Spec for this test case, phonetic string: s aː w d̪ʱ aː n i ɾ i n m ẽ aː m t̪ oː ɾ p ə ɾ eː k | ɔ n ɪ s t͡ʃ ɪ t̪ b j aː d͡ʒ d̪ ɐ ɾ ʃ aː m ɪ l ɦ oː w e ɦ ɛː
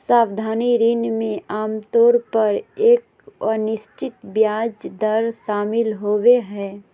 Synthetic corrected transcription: s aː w d̪ʱ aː n i ɾ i n m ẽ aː m t̪ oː ɾ p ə ɾ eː k | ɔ n ɪ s t͡ʃ ɪ t̪ b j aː d͡ʒ d̪ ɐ ɾ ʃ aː m ɪ l ɦ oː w e ɦ ɛː